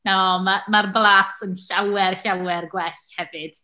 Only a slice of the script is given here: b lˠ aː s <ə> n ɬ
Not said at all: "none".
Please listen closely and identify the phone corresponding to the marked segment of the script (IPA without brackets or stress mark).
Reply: ə